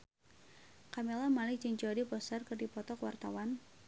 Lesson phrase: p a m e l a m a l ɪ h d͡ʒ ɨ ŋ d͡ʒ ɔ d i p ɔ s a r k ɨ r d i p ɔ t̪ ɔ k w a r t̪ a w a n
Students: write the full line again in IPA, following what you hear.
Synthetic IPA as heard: k a m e l a m a l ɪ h d͡ʒ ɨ ŋ d͡ʒ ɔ d i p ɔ s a r k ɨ r d i p ɔ t̪ ɔ k w a r t̪ a w a n